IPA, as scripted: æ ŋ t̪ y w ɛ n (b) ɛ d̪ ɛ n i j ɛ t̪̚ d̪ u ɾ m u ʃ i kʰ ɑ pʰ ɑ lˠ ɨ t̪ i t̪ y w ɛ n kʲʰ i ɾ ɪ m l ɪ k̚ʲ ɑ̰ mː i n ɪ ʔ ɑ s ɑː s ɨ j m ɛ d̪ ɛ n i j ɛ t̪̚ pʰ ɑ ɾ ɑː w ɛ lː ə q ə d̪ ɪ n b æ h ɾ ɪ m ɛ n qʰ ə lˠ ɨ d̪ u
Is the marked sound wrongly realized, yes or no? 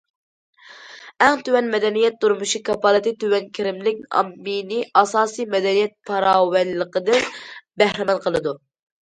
yes